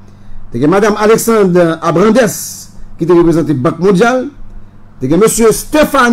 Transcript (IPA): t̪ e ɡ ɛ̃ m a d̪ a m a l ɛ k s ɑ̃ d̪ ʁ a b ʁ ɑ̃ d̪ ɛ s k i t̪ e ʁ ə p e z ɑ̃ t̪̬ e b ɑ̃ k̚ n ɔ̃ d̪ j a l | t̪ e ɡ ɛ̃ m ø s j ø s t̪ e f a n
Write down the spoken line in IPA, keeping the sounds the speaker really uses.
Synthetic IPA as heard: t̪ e ɡ ɛ̃ m a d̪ a m a l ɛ k s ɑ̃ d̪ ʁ a b ʁ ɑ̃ d̪ ɛ s k i t̪ e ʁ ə p e z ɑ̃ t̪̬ e b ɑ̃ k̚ m ɔ̃ d̪ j a l | t̪ e ɡ ɛ̃ m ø s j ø s t̪ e f a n